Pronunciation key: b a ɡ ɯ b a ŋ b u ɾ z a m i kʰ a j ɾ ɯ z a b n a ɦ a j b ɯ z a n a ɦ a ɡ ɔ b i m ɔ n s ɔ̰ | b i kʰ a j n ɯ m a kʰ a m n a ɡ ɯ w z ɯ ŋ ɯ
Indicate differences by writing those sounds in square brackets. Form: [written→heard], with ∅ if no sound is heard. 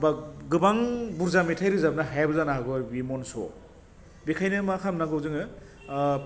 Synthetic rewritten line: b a ɡ ɯ b a ŋ b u ɾ z a m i [kʰ→tʰ] a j ɾ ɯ z a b n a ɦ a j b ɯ z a n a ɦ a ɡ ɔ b i m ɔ n s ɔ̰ | b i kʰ a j n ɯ m a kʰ a m n a ɡ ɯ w z ɯ ŋ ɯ